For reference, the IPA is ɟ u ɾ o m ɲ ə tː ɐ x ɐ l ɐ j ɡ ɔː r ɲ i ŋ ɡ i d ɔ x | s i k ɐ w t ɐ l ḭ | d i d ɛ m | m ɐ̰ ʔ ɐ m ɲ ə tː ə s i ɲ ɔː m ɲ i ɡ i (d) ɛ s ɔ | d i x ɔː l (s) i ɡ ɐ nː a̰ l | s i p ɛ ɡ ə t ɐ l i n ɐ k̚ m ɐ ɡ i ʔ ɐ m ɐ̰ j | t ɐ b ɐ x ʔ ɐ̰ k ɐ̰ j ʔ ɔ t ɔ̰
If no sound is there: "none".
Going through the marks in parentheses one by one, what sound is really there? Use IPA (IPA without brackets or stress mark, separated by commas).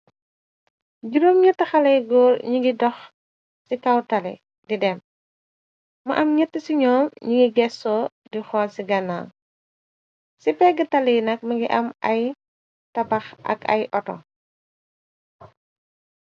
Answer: ɡ, s